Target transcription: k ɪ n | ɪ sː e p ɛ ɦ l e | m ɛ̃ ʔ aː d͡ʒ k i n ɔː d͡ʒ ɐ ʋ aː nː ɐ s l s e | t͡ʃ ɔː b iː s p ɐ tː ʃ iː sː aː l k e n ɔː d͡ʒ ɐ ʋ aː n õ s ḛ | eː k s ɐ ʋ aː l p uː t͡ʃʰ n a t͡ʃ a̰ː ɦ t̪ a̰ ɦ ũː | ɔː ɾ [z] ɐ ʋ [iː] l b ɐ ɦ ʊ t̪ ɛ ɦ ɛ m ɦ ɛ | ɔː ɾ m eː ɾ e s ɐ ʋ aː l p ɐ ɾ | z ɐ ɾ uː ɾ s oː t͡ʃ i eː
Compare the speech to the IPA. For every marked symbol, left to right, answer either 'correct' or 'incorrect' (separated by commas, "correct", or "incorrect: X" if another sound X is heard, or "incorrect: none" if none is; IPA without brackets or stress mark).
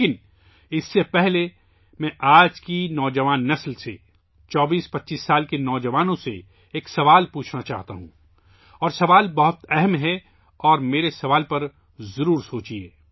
incorrect: s, incorrect: aː